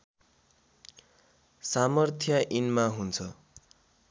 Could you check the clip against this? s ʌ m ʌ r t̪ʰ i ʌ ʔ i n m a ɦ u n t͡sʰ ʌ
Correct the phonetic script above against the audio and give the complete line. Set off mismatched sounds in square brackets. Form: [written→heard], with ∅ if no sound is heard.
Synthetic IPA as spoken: s [ʌ→a] m ʌ r t̪ʰ [i→j] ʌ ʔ i n m a ɦ u n t͡sʰ ʌ